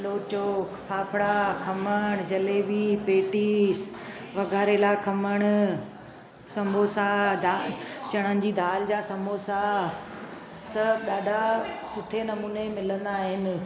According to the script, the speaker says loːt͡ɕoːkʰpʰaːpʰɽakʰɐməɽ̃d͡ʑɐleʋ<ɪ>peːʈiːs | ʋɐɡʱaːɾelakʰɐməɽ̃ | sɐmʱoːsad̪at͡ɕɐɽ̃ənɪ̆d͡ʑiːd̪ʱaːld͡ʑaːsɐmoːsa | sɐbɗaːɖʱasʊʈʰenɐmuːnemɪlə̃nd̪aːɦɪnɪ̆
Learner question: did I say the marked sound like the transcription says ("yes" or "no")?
no